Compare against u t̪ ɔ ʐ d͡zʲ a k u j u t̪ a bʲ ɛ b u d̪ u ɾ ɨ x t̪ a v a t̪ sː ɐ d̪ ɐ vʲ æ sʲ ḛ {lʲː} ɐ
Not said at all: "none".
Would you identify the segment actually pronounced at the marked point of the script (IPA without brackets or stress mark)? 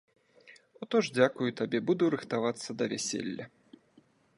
lʲː